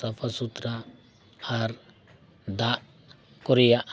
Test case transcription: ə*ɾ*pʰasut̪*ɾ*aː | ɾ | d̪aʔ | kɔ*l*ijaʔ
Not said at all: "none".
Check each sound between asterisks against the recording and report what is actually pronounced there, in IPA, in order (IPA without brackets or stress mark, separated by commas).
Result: none, ɾ, ɾ